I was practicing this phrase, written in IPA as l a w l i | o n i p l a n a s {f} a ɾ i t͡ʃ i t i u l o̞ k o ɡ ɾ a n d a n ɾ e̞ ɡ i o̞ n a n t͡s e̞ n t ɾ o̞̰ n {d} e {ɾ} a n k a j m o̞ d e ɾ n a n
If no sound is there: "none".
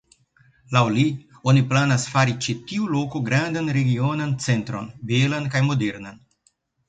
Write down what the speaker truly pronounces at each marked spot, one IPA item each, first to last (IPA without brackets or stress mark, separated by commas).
f, b, l